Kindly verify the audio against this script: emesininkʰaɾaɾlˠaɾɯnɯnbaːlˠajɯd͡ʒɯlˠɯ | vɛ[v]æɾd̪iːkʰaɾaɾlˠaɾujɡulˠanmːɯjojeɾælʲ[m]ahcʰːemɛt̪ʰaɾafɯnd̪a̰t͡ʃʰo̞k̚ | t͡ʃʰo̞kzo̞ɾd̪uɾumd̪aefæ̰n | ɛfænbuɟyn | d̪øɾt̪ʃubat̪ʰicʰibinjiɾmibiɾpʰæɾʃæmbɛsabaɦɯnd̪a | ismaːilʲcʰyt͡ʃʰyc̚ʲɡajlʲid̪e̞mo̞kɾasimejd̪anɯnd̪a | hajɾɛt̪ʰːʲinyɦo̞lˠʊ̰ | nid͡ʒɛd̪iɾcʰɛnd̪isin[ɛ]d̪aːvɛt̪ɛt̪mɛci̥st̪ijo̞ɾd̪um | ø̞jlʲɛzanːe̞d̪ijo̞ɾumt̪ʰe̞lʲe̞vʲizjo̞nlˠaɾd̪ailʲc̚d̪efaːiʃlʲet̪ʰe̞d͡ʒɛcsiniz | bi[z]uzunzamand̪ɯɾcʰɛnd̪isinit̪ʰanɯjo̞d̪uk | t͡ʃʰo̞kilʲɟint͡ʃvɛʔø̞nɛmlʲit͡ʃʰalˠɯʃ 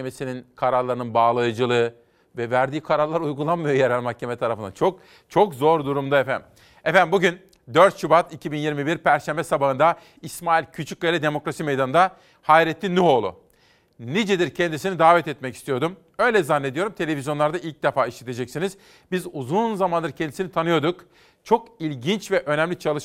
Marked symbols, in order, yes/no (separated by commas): yes, yes, no, yes